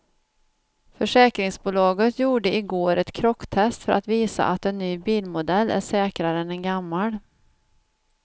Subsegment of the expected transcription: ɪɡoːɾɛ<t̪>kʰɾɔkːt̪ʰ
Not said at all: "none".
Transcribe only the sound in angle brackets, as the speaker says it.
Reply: t̪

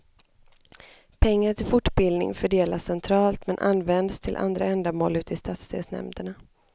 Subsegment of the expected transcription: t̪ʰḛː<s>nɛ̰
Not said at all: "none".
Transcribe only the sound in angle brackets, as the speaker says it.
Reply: s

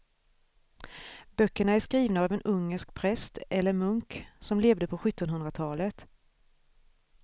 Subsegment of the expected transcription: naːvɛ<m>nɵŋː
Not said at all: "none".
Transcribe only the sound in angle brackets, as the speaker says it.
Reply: none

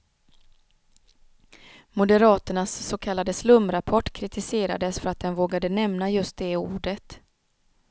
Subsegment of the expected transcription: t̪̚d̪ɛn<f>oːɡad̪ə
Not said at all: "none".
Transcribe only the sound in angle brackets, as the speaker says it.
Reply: v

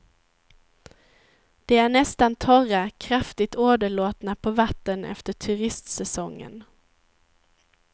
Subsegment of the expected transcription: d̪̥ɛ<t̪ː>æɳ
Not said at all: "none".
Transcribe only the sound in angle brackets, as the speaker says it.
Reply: none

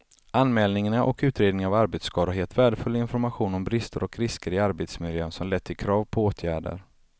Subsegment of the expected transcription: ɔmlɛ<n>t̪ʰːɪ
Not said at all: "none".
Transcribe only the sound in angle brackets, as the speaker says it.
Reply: none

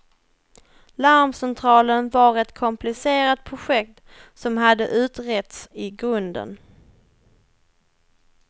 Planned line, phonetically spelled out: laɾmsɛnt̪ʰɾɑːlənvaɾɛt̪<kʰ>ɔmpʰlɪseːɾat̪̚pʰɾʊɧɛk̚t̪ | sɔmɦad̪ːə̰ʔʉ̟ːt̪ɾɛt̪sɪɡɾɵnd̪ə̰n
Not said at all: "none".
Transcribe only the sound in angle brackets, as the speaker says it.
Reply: kʰ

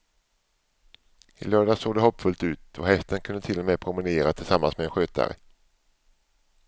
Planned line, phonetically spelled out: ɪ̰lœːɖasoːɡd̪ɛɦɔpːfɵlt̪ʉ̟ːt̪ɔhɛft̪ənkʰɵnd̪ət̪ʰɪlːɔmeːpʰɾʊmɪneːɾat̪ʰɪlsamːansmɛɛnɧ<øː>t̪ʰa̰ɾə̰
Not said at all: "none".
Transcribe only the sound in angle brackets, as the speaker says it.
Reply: øː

